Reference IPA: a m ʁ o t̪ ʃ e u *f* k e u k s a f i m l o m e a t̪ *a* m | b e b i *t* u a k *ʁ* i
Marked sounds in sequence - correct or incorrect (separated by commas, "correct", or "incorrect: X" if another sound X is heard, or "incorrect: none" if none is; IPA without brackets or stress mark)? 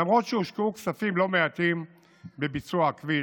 incorrect: ʃ, incorrect: i, incorrect: t͡s, incorrect: v